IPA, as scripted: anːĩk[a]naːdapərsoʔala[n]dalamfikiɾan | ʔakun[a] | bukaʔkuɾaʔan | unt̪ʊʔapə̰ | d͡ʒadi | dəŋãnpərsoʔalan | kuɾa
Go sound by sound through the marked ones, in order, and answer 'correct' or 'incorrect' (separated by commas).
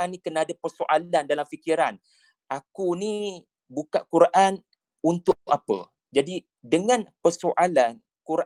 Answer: incorrect, correct, incorrect